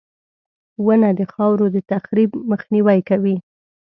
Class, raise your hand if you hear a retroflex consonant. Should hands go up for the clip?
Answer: no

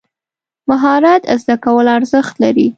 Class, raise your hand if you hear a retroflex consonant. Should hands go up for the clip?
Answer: no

